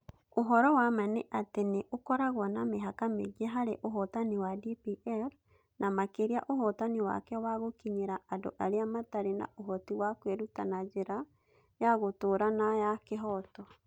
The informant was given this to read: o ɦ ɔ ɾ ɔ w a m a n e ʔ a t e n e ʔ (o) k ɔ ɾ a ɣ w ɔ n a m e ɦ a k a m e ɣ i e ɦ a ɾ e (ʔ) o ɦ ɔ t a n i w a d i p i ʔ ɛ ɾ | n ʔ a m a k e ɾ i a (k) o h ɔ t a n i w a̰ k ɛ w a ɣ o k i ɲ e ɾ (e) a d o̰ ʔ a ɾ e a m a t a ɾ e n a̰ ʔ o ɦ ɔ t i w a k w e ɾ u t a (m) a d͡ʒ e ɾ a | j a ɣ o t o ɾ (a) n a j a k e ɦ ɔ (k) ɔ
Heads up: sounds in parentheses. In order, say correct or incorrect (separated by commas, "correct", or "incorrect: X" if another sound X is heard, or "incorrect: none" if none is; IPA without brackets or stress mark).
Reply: correct, correct, incorrect: ʔ, incorrect: a, incorrect: n, correct, incorrect: t